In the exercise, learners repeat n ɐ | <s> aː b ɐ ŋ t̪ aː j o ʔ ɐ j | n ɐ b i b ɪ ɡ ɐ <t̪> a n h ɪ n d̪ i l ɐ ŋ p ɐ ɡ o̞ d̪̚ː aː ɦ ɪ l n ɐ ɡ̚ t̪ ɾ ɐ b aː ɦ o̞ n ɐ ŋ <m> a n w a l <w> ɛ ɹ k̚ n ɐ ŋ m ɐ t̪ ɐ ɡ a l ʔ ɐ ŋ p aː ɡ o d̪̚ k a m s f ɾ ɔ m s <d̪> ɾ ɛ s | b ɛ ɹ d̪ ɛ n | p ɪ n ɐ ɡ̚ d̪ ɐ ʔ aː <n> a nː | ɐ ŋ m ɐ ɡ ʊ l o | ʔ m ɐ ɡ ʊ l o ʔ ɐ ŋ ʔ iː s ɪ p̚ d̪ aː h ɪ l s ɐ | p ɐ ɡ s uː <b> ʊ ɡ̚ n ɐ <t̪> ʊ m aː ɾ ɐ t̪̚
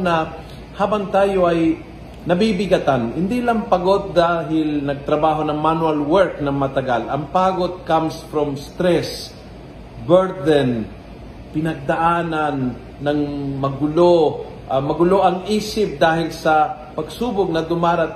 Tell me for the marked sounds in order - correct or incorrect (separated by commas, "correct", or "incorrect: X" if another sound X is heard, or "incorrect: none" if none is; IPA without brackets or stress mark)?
incorrect: h, correct, correct, correct, incorrect: t̪, correct, correct, incorrect: d̪